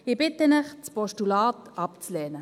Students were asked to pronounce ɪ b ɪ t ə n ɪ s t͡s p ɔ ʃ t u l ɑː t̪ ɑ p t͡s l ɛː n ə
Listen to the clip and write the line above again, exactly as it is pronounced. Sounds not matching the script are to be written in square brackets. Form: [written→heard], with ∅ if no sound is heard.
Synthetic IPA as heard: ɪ b ɪ t ə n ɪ [s→χ] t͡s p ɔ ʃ t u l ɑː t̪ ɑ p t͡s l ɛː n ə